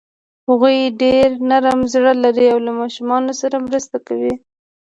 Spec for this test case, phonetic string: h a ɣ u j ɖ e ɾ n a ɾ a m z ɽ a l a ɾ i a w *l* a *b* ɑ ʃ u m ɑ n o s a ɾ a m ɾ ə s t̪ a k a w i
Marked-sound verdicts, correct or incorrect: correct, incorrect: m

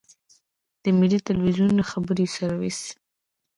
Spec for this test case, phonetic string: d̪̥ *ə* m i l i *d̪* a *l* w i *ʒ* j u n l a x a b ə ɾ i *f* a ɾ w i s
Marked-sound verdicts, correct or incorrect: correct, incorrect: t̪, correct, incorrect: z, incorrect: s

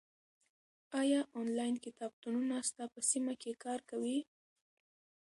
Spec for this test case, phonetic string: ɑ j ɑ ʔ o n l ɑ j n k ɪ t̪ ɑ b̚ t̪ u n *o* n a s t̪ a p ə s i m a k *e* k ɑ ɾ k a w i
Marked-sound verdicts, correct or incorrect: incorrect: u, correct

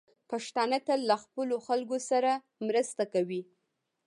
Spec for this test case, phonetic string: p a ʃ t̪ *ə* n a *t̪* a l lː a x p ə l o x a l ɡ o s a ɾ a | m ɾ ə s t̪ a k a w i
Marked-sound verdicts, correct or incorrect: incorrect: ɑ, correct

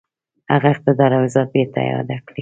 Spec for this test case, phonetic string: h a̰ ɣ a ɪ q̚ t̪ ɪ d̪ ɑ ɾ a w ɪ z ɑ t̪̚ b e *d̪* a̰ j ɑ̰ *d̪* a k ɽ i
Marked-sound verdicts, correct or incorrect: incorrect: t̪, correct

